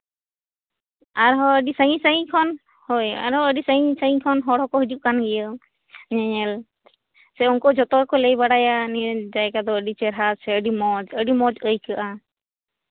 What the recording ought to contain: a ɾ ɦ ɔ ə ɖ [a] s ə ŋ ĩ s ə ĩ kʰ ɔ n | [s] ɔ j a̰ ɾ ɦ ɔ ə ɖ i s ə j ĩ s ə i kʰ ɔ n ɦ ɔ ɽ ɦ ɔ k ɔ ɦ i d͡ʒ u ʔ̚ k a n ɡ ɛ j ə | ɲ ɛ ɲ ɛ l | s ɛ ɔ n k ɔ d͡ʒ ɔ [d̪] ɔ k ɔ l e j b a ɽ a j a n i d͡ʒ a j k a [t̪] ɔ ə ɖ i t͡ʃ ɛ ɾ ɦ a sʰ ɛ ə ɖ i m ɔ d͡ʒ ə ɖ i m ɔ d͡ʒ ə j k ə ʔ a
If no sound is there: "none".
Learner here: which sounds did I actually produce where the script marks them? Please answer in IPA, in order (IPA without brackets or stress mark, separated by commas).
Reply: i, h, t̪, d̪